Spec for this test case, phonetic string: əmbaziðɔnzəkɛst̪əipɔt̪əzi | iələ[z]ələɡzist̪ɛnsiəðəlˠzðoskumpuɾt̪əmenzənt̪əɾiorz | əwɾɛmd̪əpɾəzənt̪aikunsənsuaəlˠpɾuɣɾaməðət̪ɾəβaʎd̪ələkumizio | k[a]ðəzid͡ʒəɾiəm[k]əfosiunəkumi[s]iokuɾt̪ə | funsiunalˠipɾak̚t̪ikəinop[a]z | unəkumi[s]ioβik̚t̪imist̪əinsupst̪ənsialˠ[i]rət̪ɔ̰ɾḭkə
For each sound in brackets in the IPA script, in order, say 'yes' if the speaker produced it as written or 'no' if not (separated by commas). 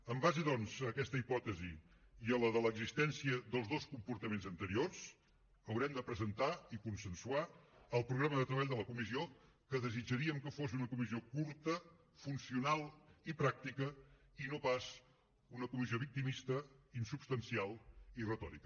no, no, yes, no, yes, no, yes